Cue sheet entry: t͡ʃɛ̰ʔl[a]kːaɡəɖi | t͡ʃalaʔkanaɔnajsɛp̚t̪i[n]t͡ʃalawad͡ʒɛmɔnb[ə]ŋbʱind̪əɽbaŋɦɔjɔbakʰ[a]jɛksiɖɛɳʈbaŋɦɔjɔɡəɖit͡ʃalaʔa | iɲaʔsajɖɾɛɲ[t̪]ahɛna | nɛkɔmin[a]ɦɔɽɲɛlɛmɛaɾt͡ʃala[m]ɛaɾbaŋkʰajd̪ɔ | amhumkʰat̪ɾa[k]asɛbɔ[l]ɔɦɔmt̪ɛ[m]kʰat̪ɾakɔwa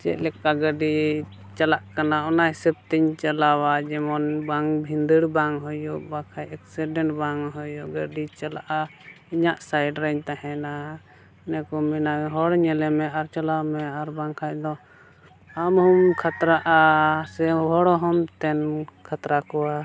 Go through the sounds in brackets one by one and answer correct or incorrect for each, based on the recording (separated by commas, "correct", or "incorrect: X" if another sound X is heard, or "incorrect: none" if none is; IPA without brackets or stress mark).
incorrect: ɛ, incorrect: ɲ, incorrect: a, correct, correct, correct, correct, incorrect: ʔ, incorrect: ɽ, incorrect: n